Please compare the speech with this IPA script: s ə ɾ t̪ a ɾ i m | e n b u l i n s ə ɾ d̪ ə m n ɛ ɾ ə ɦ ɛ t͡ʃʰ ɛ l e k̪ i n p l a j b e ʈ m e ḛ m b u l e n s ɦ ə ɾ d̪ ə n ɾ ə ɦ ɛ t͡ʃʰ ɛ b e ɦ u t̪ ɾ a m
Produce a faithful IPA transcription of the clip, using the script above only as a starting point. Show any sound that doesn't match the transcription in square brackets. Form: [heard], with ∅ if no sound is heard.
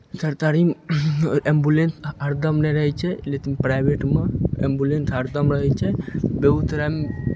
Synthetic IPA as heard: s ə ɾ t̪ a ɾ i m | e [m] b u l [e] n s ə ɾ d̪ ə m n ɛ ɾ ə ɦ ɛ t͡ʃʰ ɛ l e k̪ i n p [ɾ] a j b e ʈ m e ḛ m b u l e n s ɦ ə ɾ d̪ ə [m] ɾ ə ɦ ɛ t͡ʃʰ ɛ b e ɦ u t̪ ɾ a m